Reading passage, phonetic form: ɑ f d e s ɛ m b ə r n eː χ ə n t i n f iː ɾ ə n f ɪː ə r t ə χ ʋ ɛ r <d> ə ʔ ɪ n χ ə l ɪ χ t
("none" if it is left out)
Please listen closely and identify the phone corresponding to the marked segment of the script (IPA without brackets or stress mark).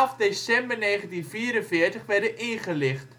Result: d